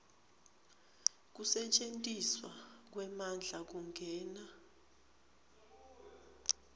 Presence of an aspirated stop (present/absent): absent